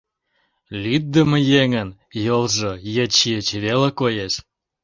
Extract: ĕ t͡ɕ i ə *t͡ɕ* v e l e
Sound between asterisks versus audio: correct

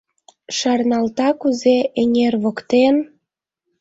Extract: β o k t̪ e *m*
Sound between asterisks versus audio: incorrect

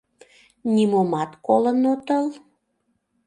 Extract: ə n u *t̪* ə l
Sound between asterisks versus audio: correct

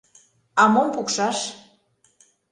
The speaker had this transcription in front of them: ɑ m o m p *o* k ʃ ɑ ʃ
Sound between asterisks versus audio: incorrect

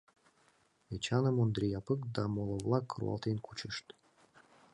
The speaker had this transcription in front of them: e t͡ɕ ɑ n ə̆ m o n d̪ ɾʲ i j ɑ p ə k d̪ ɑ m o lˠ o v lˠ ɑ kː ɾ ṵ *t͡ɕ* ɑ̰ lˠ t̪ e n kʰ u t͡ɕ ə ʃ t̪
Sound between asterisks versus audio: incorrect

